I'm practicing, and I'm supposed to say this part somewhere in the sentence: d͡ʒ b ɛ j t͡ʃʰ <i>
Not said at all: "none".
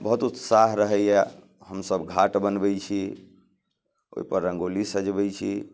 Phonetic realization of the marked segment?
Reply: i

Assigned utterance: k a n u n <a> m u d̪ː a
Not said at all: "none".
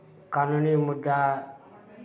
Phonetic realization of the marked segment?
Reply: i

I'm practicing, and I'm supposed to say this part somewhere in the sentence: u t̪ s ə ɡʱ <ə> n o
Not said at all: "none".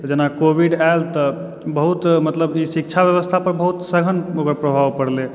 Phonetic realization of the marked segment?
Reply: ə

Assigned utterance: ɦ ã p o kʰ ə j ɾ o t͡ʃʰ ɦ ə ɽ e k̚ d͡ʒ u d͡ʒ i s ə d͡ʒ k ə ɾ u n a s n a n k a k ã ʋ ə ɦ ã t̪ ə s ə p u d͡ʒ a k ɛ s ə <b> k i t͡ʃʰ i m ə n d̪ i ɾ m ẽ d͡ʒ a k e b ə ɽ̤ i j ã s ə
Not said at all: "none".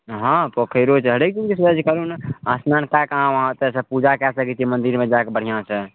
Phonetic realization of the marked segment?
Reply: none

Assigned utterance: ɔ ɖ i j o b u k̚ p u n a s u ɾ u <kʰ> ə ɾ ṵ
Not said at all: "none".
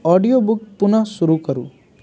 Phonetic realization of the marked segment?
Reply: k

